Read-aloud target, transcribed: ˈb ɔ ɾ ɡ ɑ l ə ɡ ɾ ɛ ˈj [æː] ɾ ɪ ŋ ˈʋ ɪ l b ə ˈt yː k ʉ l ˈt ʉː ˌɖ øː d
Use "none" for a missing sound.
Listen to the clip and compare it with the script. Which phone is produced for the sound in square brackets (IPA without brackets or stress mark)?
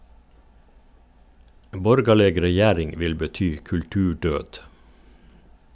æː